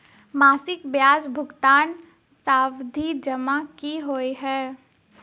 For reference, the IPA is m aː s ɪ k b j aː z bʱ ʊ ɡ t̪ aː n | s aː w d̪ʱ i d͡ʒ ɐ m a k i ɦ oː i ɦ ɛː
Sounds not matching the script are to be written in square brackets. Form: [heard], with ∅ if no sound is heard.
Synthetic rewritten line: m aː s ɪ k b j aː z bʱ ʊ ɡ t̪ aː n | s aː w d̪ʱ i d͡ʒ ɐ m a k i ɦ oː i ɦ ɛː